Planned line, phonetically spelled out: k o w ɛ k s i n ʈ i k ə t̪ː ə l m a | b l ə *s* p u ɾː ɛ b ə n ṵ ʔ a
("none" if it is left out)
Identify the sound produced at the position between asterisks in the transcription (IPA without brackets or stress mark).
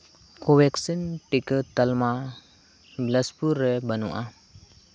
s